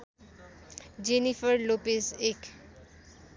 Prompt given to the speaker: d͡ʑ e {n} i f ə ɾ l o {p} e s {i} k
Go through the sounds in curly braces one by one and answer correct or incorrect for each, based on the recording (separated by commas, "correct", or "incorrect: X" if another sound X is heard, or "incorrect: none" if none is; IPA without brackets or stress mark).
correct, correct, incorrect: e